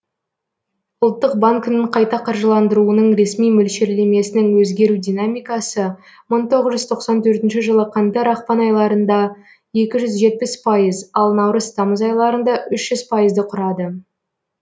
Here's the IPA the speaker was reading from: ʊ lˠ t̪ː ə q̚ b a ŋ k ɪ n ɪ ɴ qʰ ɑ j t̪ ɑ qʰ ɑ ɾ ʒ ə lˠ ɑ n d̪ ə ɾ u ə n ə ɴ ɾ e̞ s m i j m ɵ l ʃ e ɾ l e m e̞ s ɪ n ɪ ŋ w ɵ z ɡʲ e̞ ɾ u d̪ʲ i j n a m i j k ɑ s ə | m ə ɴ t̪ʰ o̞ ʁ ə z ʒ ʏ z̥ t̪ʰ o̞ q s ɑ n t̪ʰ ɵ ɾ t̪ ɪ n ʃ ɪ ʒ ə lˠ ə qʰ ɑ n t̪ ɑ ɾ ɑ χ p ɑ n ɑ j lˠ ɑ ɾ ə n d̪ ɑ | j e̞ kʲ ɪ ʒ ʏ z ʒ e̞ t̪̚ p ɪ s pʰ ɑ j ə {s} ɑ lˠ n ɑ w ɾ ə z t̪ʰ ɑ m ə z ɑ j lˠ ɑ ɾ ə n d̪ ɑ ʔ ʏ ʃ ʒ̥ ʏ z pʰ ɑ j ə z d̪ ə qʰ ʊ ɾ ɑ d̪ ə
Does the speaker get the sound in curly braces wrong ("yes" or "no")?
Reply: yes